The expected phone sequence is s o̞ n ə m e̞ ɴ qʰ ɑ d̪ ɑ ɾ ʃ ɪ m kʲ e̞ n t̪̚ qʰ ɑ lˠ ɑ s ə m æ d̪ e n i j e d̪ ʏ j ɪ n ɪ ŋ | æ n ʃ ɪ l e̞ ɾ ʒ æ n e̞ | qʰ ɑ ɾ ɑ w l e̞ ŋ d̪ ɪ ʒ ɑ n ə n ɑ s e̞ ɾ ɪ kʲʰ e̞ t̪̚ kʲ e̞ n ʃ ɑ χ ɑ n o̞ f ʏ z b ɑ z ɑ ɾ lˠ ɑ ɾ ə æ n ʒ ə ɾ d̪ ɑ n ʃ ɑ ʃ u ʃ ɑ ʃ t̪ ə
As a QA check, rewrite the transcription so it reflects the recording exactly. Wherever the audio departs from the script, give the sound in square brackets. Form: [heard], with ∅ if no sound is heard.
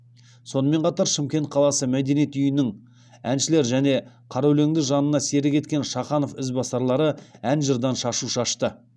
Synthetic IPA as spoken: s o̞ n ə m e̞ ɴ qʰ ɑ [t̪] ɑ ɾ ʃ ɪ m kʲ e̞ n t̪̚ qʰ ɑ lˠ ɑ s ə m æ d̪ e n i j e [t̪] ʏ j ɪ n ɪ ŋ | æ n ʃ ɪ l e̞ ɾ ʒ æ n e̞ | qʰ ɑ ɾ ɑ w l e̞ ŋ d̪ ɪ ʒ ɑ n ə n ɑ s e̞ ɾ ɪ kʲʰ e̞ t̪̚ kʲ e̞ n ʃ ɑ χ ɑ n o̞ f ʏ z b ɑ [s] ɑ ɾ lˠ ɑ ɾ ə æ n ʒ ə ɾ d̪ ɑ n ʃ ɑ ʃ u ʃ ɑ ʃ t̪ ə